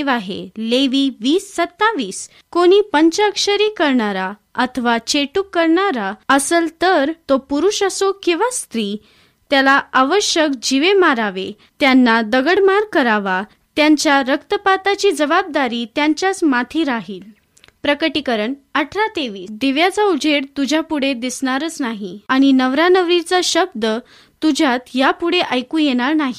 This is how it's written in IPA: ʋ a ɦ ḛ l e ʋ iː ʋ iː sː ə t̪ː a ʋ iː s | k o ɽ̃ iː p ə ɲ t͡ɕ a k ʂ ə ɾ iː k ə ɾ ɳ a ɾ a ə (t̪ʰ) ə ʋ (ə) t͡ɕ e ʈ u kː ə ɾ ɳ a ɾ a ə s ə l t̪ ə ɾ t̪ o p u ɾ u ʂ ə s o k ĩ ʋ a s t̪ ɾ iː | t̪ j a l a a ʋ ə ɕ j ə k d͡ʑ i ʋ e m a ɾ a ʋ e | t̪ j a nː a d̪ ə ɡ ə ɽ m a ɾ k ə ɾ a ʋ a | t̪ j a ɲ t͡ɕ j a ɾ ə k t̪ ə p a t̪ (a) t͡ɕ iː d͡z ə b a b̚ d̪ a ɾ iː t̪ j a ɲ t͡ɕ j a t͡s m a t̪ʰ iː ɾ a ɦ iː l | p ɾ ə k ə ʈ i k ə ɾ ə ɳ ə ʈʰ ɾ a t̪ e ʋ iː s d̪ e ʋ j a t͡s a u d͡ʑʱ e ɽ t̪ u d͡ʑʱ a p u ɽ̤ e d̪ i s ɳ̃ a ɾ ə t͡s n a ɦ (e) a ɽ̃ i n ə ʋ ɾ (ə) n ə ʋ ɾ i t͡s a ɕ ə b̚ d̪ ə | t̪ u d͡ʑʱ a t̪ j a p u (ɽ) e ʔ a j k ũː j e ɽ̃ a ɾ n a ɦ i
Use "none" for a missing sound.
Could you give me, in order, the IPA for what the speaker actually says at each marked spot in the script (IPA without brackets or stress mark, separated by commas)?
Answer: t̪ʰ, a, a, i, a, ɽ